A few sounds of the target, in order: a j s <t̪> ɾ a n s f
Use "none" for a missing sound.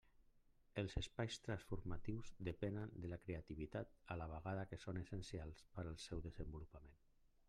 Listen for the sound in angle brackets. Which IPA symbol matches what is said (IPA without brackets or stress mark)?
t̪